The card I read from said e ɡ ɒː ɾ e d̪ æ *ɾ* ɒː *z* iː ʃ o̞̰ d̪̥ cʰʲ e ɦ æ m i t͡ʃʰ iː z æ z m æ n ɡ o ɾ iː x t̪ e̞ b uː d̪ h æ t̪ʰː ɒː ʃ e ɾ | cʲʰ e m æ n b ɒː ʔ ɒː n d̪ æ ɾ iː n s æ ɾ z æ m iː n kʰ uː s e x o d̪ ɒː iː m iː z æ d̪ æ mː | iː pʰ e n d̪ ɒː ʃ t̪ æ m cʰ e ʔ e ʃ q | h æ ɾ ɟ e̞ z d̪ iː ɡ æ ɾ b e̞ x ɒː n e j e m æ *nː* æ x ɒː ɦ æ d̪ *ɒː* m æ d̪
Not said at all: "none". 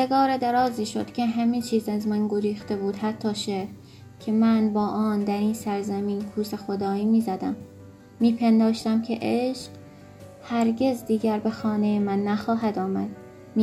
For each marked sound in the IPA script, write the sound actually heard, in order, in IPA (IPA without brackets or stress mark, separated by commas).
ɾ, z, nː, ɒː